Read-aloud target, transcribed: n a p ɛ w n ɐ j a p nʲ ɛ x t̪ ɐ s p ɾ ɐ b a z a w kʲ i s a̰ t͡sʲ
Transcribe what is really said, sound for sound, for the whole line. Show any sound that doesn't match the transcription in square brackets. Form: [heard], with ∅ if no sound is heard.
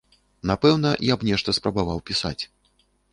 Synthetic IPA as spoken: n a p ɛ w n ɐ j a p nʲ ɛ [ʂ] t̪ ɐ s p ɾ ɐ b a [v] a w [pʲ] i s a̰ t͡sʲ